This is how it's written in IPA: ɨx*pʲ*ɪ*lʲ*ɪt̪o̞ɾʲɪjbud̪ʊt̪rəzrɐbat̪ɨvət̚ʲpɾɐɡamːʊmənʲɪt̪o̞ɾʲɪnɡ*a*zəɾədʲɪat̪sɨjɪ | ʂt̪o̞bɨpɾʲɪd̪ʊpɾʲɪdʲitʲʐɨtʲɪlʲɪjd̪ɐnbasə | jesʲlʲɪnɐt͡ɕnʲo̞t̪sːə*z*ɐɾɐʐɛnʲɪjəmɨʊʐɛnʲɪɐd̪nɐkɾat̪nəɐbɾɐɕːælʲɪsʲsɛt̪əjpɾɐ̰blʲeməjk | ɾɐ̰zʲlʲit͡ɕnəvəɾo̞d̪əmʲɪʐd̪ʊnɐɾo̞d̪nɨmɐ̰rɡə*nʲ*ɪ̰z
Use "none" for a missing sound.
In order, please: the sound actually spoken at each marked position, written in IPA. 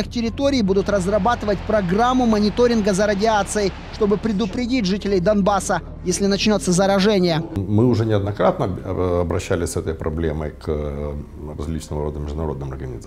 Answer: tʲ, ɾʲ, ə, z, nʲ

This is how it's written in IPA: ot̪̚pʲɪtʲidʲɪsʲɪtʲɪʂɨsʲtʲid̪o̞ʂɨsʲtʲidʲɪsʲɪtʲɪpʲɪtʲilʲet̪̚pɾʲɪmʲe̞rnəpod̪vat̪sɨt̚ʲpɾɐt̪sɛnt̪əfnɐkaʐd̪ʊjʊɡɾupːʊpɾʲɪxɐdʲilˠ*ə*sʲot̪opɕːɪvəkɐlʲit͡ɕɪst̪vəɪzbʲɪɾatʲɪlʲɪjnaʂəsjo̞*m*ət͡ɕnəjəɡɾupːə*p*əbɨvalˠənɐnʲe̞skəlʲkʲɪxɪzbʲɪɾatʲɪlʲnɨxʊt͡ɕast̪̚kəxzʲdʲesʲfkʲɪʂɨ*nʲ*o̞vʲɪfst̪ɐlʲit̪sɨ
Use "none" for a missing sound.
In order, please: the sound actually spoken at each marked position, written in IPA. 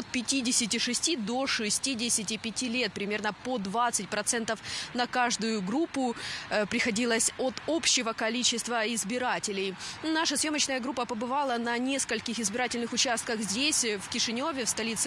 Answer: ə, m, p, nʲ

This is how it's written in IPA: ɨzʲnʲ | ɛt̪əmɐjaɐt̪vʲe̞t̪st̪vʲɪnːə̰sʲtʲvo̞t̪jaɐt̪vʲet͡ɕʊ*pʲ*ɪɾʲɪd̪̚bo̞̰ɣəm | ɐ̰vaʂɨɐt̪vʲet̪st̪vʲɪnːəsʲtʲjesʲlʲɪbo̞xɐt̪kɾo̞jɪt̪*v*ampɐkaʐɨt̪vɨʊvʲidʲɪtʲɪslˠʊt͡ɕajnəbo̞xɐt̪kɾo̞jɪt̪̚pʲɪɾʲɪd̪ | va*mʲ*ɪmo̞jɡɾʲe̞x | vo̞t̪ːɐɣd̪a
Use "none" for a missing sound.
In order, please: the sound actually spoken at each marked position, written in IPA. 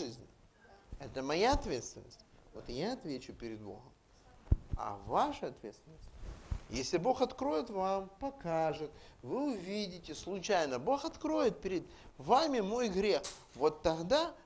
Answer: pʲ, v, mʲ

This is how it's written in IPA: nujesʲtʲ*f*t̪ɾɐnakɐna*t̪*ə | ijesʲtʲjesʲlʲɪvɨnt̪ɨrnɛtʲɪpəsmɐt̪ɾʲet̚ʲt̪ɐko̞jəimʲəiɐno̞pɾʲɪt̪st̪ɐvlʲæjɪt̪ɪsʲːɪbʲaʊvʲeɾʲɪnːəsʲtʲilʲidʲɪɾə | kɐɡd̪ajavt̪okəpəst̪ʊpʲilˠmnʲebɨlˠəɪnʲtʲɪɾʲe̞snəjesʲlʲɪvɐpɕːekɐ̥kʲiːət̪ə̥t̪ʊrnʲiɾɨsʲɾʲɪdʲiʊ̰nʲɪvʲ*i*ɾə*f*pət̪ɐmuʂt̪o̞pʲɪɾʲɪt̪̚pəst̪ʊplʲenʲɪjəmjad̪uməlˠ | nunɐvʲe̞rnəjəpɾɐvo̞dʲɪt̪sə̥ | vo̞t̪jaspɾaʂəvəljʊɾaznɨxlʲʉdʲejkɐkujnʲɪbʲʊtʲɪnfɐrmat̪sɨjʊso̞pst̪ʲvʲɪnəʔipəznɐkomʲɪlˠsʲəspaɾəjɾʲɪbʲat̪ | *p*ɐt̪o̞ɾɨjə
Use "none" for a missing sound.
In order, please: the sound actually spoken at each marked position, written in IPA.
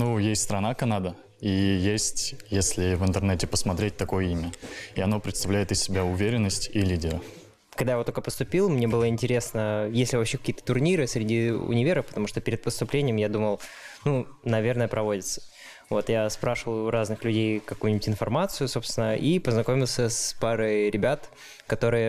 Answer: s, d̪, e, f, k

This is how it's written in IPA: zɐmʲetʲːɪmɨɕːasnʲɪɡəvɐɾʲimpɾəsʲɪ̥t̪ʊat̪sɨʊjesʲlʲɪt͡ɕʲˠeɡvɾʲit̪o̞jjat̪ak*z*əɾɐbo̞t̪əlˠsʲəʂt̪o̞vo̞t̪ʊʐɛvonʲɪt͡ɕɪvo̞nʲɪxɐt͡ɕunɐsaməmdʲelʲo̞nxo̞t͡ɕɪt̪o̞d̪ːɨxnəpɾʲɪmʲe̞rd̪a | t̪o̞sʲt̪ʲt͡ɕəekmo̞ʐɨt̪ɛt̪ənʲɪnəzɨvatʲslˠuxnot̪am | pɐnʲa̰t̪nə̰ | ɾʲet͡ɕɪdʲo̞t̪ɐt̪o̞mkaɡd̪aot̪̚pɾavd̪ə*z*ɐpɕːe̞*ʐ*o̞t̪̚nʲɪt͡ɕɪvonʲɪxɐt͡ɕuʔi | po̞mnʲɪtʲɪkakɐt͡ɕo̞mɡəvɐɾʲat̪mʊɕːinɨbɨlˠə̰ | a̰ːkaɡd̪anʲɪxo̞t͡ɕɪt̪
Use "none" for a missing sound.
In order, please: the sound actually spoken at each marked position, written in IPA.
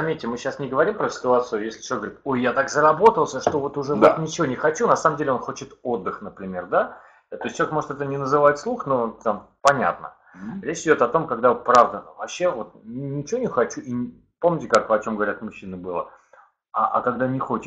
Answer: z, v, v

